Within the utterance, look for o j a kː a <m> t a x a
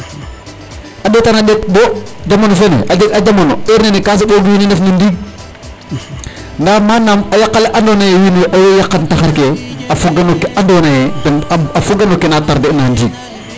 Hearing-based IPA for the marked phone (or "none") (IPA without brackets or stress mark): n